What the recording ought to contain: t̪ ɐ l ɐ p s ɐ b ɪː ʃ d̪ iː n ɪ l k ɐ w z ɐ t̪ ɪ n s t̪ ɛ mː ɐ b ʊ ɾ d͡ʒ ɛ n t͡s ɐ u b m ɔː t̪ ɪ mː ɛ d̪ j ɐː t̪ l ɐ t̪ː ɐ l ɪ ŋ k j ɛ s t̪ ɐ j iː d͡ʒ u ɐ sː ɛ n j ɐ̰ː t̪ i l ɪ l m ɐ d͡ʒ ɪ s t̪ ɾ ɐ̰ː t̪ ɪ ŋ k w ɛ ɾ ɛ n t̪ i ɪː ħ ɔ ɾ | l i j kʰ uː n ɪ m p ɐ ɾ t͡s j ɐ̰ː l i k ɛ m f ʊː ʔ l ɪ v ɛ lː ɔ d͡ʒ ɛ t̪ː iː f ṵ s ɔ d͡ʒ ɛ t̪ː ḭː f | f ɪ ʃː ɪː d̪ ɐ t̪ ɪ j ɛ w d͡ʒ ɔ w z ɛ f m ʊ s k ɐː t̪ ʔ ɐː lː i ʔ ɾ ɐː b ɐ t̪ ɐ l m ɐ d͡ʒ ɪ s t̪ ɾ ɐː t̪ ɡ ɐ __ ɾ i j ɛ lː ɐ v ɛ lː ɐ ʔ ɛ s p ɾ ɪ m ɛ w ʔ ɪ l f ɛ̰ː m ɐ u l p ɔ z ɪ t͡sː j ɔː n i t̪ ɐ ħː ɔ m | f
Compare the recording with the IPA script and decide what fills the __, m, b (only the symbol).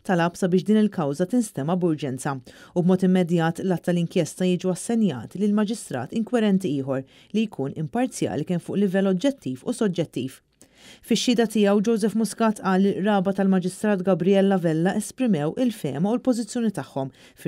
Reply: b